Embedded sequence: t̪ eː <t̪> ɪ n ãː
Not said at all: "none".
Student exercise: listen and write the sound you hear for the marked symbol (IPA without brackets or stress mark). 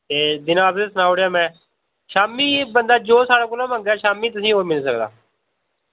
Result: d̪